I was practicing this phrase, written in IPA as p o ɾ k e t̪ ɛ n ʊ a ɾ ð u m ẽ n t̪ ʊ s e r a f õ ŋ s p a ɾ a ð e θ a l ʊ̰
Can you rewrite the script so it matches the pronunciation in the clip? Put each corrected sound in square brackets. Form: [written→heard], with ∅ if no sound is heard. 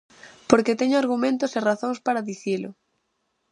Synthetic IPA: p o ɾ k e t̪ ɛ [n→ɲ] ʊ a ɾ [ð→ɣ] u m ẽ n t̪ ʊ s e r a [f→θ] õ ŋ s p a ɾ a ð [e→i] θ [a→i] l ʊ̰